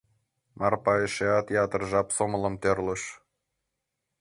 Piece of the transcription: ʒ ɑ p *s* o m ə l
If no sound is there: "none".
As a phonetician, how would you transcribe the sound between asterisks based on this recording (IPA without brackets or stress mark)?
s